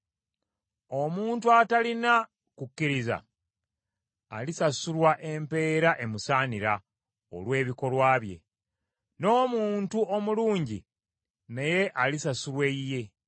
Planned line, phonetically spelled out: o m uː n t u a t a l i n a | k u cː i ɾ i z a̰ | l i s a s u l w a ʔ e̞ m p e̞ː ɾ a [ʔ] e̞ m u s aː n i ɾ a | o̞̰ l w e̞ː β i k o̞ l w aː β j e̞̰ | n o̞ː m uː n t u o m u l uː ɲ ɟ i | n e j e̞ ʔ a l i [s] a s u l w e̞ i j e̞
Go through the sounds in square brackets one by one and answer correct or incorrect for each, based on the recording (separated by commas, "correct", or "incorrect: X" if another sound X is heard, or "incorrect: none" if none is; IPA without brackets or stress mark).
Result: correct, correct